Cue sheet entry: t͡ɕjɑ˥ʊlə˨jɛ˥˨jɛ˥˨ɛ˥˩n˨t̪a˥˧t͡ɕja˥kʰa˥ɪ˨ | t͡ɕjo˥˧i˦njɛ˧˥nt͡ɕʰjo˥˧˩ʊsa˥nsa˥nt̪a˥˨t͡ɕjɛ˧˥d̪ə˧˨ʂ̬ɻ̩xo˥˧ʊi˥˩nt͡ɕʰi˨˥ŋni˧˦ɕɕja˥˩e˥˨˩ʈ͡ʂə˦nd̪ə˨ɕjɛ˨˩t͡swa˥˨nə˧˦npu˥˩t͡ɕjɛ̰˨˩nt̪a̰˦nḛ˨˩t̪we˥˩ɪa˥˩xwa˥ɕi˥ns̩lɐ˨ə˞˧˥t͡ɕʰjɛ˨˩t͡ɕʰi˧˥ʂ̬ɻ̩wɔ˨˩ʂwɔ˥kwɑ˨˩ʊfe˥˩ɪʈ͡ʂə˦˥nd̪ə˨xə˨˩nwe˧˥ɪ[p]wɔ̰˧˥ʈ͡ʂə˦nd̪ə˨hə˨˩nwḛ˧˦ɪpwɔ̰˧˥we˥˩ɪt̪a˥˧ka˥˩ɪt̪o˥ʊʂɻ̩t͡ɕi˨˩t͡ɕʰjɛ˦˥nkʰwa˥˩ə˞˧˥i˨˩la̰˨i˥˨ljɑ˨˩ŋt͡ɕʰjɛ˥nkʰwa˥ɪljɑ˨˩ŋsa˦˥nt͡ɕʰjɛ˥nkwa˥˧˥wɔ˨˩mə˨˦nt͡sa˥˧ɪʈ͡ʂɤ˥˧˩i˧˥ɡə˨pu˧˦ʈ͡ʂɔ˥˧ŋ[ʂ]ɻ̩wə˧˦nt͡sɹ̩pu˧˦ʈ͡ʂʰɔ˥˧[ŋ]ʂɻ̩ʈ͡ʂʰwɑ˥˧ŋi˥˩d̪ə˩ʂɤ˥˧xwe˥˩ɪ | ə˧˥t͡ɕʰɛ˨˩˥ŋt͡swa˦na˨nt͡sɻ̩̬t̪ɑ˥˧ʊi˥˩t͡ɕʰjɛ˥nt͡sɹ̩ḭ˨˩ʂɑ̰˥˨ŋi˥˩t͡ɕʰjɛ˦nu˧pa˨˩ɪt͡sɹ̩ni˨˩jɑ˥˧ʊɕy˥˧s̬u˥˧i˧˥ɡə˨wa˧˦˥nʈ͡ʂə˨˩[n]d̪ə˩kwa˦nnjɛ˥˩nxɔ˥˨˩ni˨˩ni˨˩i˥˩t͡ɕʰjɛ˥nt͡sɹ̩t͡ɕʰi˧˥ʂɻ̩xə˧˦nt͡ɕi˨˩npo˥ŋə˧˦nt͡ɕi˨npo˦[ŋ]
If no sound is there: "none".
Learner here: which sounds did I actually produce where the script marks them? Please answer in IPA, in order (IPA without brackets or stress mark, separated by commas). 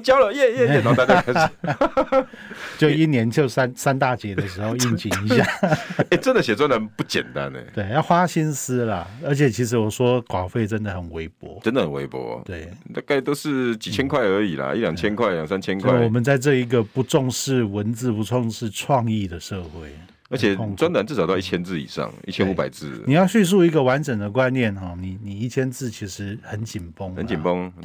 p, ʂ, ŋ, ŋ, ŋ